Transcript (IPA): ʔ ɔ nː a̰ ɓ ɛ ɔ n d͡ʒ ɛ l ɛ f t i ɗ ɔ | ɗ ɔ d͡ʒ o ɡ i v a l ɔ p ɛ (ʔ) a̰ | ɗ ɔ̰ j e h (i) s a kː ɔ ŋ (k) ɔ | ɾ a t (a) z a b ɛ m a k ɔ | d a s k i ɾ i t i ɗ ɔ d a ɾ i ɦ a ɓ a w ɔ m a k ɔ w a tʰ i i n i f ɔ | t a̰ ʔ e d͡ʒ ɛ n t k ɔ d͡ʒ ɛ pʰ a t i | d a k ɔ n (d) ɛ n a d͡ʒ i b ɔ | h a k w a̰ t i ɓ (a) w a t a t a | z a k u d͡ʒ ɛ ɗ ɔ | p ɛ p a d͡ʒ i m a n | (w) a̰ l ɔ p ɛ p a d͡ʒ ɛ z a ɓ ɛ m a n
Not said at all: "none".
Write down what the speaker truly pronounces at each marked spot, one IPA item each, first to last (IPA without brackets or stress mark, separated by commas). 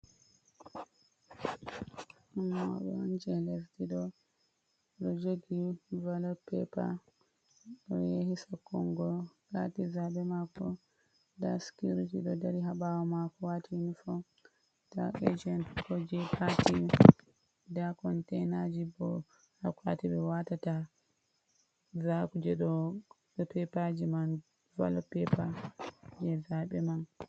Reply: p, i, ɡ, i, t, ɛ, v